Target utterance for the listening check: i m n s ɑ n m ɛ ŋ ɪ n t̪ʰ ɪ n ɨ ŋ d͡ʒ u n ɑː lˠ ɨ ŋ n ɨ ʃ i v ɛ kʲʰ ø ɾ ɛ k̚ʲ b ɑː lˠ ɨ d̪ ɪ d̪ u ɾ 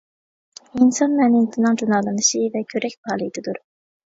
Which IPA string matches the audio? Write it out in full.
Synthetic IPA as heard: i n s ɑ n m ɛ n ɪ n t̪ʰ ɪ n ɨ ŋ d͡ʒ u n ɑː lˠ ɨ n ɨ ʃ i v ɛ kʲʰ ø ɾ ɛ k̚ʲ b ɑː lˠ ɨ d̪ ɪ d̪ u ɾ